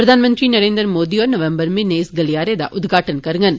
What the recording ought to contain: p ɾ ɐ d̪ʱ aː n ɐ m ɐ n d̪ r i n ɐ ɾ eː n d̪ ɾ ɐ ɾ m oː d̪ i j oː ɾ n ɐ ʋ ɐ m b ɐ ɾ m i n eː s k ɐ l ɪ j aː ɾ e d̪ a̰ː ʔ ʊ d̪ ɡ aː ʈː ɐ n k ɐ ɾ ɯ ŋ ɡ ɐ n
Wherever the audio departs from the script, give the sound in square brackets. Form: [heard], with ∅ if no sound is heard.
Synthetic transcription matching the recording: p ɾ ɐ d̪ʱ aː n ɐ m ɐ n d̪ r i n ɐ ɾ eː n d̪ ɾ ɐ ɾ m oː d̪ i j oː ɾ n ɐ ʋ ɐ m b ɐ ɾ m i n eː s [ɡ] ɐ l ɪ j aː ɾ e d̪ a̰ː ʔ ʊ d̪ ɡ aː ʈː ɐ n k ɐ ɾ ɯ ŋ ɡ ɐ n